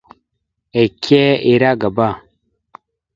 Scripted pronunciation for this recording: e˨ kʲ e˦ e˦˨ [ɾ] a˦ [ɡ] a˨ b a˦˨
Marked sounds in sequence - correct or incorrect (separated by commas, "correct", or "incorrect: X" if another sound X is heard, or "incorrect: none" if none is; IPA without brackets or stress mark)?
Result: correct, correct